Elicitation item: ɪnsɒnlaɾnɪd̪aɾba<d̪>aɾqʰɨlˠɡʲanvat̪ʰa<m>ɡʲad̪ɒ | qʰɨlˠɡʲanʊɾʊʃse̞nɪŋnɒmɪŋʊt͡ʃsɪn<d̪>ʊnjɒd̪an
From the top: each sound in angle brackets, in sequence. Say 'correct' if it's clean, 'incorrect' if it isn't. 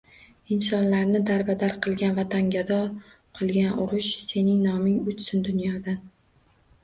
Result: correct, incorrect: ŋ, correct

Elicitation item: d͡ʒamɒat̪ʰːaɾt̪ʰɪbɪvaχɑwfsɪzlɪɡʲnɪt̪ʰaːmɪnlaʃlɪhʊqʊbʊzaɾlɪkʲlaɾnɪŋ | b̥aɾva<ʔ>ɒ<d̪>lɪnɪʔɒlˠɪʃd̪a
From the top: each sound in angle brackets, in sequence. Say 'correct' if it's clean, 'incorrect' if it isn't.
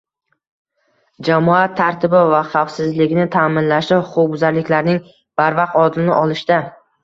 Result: incorrect: q, correct

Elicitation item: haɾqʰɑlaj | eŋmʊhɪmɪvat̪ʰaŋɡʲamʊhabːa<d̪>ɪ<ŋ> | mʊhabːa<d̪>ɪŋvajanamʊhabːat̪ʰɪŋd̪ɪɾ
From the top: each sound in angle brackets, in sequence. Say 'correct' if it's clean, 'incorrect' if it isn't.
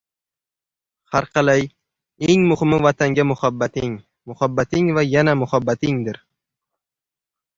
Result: incorrect: t̪, correct, incorrect: t̪

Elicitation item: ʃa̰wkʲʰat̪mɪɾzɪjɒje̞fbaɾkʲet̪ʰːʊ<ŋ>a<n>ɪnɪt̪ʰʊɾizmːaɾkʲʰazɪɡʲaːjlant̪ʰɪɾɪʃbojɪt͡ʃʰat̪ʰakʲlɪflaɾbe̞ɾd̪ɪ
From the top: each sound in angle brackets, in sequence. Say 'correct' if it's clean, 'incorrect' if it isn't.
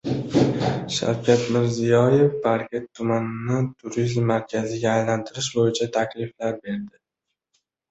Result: incorrect: m, correct

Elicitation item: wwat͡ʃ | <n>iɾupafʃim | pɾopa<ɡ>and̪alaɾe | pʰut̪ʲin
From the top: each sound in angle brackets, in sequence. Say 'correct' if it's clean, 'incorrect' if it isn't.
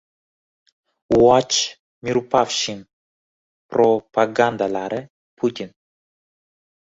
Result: incorrect: m, correct

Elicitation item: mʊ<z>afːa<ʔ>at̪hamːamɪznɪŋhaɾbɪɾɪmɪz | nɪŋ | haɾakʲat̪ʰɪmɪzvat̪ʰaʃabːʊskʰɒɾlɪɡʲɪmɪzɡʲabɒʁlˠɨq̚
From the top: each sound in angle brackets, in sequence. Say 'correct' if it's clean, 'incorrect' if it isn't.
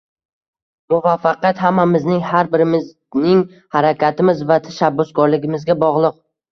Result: incorrect: v, incorrect: q

